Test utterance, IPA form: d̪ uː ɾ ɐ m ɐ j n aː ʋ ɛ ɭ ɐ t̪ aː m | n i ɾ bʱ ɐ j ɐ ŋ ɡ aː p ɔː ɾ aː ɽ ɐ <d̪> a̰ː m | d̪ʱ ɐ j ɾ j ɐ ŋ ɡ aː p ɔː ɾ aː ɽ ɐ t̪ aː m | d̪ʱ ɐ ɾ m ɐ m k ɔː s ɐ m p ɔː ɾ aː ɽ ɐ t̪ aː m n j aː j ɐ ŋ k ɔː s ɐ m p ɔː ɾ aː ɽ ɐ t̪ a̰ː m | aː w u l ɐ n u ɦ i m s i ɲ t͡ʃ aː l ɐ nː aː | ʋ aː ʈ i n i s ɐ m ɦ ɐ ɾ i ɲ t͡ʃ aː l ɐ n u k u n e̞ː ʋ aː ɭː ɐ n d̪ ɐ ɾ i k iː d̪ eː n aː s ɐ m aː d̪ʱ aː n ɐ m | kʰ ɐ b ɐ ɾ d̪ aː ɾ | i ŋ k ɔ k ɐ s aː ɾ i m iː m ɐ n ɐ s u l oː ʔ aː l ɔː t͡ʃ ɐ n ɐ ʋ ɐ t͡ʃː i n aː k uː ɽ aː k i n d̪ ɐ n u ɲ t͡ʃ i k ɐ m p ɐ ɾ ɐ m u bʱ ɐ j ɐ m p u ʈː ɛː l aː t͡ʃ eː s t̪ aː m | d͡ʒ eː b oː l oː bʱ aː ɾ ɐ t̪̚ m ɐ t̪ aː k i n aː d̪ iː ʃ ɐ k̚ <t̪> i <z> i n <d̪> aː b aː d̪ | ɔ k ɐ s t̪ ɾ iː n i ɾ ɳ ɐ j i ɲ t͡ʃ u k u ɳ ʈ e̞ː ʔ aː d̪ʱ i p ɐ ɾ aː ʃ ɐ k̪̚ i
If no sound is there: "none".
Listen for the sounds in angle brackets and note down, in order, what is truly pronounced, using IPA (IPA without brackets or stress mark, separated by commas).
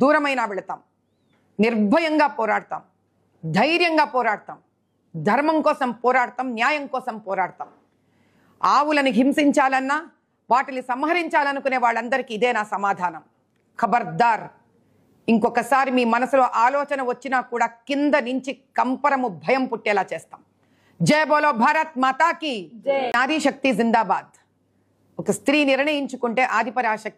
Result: t̪, t̪, z, d̪